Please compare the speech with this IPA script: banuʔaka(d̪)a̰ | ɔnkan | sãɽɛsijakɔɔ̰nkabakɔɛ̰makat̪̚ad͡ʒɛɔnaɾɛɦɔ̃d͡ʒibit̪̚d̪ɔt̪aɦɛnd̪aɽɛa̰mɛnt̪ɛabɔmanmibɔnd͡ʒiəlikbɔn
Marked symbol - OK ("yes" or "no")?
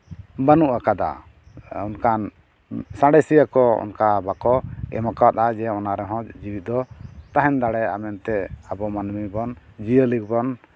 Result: yes